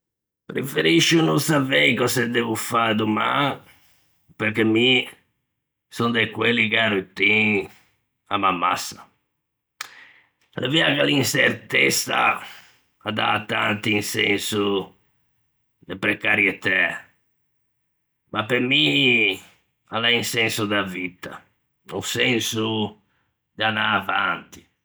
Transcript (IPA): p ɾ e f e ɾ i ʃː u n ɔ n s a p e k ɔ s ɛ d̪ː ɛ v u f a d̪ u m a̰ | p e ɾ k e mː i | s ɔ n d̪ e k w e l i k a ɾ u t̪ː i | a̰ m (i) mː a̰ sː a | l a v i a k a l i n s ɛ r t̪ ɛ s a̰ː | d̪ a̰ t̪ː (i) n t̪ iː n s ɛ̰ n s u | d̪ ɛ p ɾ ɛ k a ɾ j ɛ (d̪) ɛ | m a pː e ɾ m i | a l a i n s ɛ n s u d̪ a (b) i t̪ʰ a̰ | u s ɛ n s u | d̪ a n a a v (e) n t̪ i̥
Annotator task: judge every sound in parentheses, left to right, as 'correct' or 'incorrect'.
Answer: incorrect, incorrect, incorrect, incorrect, incorrect

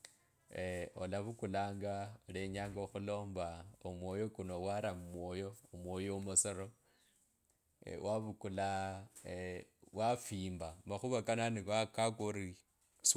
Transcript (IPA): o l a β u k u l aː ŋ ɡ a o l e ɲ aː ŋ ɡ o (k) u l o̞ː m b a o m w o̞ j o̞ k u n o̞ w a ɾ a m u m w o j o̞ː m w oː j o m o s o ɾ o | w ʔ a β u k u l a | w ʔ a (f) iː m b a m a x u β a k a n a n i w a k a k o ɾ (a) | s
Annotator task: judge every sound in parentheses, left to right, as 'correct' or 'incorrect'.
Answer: incorrect, correct, incorrect

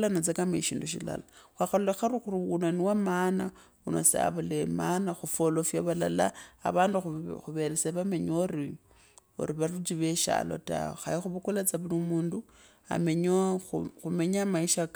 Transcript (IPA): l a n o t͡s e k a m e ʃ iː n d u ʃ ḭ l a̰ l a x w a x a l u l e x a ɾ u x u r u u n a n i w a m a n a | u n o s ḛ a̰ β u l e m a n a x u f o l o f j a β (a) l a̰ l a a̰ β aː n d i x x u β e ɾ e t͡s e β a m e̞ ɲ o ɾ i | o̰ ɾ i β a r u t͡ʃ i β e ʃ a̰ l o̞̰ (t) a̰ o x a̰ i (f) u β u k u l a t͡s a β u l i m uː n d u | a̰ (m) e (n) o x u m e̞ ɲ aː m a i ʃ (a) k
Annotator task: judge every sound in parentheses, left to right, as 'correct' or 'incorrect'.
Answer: correct, correct, incorrect, correct, incorrect, correct

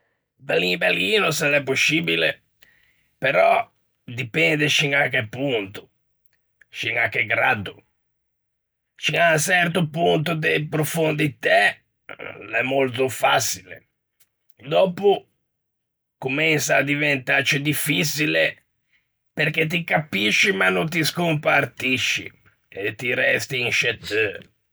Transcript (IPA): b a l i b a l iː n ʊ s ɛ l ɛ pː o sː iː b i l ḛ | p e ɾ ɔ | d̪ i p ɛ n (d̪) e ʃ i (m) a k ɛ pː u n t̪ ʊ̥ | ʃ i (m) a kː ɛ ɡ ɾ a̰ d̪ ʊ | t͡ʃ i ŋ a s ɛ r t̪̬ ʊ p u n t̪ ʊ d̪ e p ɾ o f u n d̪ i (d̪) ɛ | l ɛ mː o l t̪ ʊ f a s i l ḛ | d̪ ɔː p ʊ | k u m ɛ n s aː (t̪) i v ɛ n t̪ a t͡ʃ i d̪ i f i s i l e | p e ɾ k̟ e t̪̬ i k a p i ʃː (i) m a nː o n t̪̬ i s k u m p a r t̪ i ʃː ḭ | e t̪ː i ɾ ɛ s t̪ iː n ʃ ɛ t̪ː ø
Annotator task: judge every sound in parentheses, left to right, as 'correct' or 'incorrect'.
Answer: correct, incorrect, incorrect, incorrect, incorrect, correct

